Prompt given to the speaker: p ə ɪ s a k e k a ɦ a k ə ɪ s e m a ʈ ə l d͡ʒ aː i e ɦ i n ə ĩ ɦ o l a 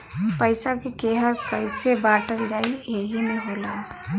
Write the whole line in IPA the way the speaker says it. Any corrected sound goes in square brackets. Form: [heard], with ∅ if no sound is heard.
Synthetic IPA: p ə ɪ s a k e k [e] ɦ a k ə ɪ s e [b] a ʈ ə l d͡ʒ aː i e ɦ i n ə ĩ ɦ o l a